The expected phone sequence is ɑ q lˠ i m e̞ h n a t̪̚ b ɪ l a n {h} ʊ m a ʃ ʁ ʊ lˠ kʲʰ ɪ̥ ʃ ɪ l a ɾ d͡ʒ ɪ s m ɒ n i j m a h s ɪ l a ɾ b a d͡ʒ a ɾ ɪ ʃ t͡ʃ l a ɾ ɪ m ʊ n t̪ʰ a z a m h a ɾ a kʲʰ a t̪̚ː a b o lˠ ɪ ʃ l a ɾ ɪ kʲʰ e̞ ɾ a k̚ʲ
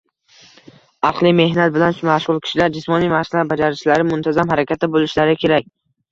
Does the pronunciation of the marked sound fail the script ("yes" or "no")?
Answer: yes